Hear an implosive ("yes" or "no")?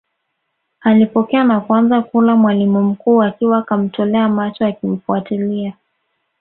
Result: no